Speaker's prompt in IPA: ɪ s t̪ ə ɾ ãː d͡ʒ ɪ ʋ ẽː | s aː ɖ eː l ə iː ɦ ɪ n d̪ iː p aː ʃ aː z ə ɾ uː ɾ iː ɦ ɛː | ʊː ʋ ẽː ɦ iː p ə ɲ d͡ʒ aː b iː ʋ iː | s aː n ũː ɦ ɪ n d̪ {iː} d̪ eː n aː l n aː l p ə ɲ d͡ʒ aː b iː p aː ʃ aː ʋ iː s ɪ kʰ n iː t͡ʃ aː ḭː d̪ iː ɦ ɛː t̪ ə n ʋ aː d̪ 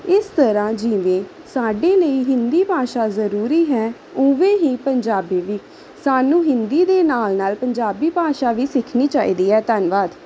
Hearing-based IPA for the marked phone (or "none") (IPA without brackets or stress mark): iː